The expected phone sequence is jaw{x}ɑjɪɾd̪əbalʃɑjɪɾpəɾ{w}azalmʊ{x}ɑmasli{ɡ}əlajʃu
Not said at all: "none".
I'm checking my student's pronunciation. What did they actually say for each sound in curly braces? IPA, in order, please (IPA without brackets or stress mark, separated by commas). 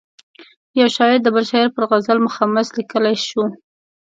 ʃ, ɣ, x, k